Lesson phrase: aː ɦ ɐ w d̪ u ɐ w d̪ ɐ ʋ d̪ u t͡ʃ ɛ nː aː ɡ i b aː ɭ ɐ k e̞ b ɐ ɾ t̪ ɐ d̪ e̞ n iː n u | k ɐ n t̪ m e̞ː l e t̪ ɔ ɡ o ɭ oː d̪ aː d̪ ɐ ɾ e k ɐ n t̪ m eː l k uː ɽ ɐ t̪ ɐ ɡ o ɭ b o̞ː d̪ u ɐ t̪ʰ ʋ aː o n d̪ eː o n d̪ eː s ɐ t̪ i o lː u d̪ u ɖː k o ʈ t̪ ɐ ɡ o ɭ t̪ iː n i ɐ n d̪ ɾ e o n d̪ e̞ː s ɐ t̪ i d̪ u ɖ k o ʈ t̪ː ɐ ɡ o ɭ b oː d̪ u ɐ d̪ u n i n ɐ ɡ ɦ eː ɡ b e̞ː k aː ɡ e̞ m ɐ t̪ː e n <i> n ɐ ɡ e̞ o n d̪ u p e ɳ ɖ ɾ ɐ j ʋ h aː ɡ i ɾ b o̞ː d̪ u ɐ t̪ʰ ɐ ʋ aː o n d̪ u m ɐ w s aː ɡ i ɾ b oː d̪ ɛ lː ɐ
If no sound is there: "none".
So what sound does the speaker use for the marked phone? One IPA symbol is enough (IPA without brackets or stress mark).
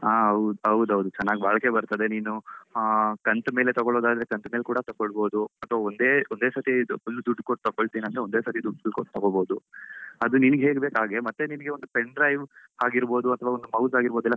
i